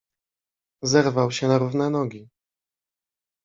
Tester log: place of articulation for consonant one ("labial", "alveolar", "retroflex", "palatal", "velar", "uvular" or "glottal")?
alveolar